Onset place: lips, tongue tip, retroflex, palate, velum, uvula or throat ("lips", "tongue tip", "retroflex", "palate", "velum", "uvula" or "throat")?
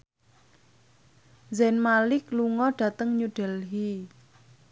tongue tip